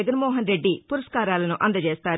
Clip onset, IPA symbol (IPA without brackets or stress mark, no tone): ɡ